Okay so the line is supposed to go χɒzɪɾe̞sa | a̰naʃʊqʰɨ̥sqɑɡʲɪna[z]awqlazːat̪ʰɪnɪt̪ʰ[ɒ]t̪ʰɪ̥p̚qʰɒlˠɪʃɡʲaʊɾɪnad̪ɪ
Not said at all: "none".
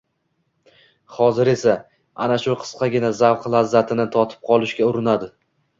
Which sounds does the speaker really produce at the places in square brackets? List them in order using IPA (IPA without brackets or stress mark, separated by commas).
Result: z, ɒ